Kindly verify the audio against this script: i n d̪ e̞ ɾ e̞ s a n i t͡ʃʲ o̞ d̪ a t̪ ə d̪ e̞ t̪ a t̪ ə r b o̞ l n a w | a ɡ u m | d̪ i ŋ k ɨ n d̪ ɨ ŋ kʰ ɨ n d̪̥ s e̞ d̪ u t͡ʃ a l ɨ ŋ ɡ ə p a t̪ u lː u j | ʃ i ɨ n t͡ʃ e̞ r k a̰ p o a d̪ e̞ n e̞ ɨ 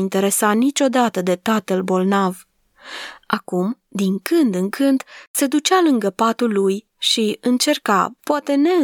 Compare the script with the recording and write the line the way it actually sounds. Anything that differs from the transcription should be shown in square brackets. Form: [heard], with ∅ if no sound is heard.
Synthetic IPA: i n [t̪] e̞ ɾ e̞ s a n i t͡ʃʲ o̞ d̪ a t̪ ə d̪ e̞ t̪ a t̪ ə [l] b o̞ l n a [v] | a [k] u m | d̪ i ŋ k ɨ n d̪ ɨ ŋ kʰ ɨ n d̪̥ s e̞ d̪ u t͡ʃ a l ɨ ŋ ɡ ə p a t̪ u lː u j | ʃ i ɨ n t͡ʃ e̞ r k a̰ p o a [t̪] e̞ n e̞ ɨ